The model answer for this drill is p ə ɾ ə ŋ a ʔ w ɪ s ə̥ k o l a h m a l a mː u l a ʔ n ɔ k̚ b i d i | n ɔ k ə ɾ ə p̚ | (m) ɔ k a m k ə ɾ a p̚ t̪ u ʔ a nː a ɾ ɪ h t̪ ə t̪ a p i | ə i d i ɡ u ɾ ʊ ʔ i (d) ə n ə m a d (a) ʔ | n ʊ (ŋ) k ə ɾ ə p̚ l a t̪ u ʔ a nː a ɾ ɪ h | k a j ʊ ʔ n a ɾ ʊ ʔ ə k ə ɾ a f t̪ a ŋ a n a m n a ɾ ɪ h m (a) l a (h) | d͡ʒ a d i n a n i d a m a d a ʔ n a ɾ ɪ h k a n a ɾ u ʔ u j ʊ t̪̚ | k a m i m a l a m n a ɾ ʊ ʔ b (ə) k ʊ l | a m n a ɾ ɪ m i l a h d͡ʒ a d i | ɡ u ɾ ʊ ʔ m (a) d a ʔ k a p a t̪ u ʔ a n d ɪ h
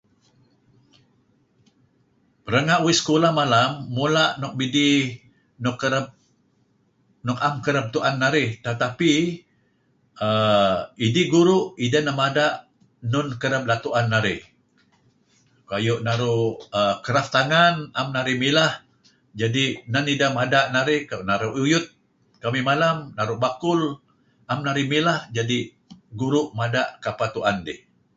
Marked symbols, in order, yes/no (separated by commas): no, yes, yes, no, no, yes, no, yes